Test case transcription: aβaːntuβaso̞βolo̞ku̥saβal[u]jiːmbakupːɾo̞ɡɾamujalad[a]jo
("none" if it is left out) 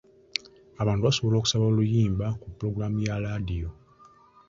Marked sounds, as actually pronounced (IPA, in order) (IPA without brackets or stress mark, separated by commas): u, i